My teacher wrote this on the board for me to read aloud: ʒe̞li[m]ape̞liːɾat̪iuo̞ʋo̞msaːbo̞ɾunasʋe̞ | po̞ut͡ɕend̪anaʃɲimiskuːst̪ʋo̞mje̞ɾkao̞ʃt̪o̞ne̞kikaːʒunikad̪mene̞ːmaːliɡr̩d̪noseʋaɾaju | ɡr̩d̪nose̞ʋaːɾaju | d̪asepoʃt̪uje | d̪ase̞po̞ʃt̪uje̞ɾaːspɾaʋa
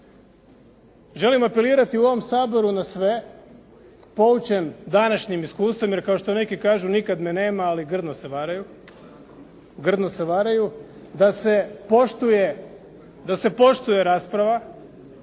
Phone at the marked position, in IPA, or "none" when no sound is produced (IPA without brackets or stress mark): m